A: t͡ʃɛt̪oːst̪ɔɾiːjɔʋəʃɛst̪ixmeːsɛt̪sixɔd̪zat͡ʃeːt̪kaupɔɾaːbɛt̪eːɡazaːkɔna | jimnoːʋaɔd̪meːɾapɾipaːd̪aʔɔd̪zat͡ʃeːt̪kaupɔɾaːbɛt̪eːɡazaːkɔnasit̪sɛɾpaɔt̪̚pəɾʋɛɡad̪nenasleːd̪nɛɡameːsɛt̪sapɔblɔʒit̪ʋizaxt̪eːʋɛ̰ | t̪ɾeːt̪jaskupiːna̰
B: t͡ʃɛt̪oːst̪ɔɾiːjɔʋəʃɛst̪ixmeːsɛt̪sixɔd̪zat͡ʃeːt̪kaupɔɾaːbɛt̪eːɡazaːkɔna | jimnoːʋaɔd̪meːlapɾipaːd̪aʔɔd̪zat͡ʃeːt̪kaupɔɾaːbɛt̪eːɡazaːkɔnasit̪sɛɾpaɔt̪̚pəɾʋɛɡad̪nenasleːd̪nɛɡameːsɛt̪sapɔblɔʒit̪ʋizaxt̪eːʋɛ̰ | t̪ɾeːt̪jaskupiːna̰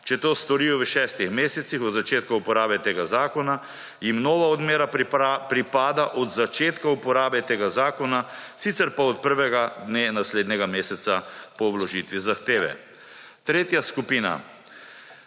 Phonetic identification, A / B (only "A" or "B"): A